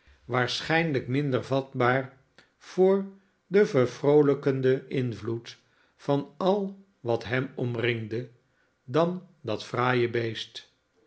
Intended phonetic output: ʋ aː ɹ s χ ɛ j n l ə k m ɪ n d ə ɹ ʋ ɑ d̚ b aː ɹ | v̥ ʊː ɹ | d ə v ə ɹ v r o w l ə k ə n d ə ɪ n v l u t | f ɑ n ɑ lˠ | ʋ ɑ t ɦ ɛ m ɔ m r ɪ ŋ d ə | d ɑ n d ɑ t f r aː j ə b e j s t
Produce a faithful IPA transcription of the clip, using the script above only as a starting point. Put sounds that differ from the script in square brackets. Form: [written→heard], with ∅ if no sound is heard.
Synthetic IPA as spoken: ʋ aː ɹ s χ ɛ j n l ə k m ɪ n d ə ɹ [ʋ→v] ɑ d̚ b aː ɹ | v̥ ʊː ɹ | d ə v ə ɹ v r o w l ə k ə n d ə ɪ n v l u t | f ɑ n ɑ lˠ | ʋ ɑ t ɦ ɛ m ɔ m r ɪ ŋ d ə | d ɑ n d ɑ t f r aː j ə b e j s t

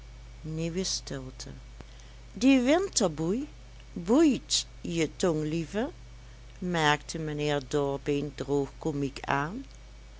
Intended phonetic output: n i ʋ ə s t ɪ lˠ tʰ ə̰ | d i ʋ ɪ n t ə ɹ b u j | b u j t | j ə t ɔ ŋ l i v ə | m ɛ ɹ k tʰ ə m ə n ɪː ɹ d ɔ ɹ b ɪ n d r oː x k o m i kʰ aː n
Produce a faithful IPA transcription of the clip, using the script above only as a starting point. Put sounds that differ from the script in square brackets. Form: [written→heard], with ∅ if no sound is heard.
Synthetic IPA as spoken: n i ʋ ə s t ɪ lˠ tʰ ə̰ | d i ʋ ɪ n t ə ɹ b u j | b u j t | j ə t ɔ ŋ l i v ə | m ɛ ɹ k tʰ ə m ə n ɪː ɹ d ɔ ɹ b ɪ n d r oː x k o m i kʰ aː n

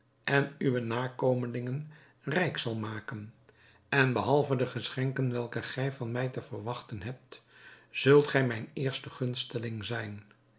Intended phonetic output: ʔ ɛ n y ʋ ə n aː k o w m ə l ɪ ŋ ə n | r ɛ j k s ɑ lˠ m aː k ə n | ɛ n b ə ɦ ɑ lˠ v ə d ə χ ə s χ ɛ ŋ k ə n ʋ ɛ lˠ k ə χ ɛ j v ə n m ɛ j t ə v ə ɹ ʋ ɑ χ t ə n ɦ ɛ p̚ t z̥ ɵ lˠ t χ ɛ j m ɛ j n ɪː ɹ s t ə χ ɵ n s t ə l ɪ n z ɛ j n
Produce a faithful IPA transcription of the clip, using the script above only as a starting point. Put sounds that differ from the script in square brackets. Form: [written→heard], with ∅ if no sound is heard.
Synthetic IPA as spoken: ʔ ɛ n y ʋ ə n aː k o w m ə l ɪ ŋ ə n | r ɛ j k s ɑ lˠ m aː k ə n | ɛ n b ə ɦ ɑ lˠ v ə d ə χ ə s χ ɛ ŋ k ə n ʋ ɛ lˠ k ə χ ɛ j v [ə→ɑ] n m ɛ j t ə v ə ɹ ʋ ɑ χ t ə n ɦ ɛ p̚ t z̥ ɵ lˠ t χ ɛ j m ɛ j n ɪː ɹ s t ə χ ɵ n s t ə l ɪ [n→ŋ] z ɛ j n

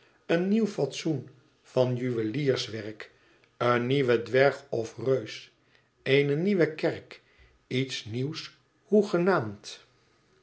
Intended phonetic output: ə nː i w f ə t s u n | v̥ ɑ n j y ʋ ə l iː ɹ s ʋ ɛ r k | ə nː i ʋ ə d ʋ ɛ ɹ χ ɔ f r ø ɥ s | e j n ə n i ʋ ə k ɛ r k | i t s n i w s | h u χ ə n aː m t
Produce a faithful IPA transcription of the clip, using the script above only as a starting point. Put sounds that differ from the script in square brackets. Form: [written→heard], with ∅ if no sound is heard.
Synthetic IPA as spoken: ə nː i w f [ə→ɑ] t s u n | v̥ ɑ n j y ʋ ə l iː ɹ s ʋ ɛ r k | ə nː i ʋ ə d ʋ ɛ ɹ χ ɔ f r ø ɥ s | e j n ə n i ʋ ə k ɛ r k | i t s n i w s | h u χ ə n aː m t

